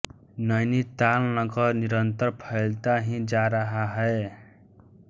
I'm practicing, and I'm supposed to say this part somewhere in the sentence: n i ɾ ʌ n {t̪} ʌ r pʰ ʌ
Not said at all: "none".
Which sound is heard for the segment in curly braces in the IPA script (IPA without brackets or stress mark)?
t̪